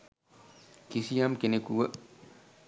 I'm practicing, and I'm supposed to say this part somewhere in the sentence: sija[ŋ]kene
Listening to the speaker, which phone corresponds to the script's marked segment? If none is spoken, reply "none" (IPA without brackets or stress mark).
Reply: m